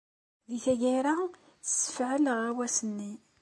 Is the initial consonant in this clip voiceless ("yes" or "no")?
no